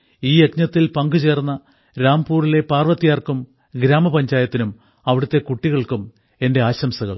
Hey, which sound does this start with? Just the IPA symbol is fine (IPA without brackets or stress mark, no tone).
iː